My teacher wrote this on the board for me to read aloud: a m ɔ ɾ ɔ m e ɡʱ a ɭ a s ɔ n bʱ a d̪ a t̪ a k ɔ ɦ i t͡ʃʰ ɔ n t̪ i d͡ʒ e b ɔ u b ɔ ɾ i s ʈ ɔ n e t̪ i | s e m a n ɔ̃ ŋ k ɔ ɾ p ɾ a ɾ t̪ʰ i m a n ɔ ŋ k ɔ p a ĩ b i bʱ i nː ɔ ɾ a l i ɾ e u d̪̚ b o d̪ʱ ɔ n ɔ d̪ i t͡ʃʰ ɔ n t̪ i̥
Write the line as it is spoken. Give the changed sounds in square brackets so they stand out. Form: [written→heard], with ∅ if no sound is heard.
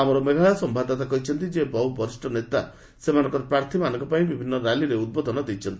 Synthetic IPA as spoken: a m ɔ ɾ ɔ m e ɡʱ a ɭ a s ɔ [n→m] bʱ a d̪ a t̪ a k ɔ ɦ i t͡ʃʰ ɔ n t̪ i d͡ʒ e b ɔ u b ɔ ɾ i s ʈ ɔ n e t̪ [i→a] | s e m a n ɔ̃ ŋ k ɔ ɾ p ɾ a ɾ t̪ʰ i m a n ɔ ŋ k ɔ p a ĩ b i bʱ i nː ɔ ɾ a l i ɾ e u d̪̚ b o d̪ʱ ɔ n ɔ d̪ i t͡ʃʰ ɔ n t̪ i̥